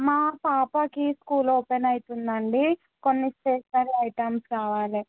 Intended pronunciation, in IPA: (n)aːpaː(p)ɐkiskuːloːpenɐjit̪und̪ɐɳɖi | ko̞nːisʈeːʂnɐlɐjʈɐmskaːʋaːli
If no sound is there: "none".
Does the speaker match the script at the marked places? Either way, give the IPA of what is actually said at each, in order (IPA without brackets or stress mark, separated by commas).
m, p